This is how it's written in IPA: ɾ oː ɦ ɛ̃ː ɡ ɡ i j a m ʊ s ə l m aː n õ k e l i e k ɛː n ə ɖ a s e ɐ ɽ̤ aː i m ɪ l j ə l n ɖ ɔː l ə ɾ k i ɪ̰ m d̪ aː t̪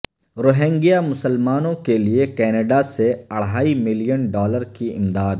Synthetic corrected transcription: ɾ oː ɦ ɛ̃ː ŋ ɡ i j a m ʊ s ə l m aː n õ k e l i e k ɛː n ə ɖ a s e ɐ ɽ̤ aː i m ɪ l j ə n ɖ ɔː l ə ɾ k i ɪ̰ m d̪ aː d̪